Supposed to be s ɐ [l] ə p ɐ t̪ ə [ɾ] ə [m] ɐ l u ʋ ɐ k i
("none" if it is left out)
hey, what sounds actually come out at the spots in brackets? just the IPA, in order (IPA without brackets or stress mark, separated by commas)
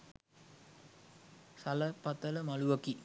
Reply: l, l, m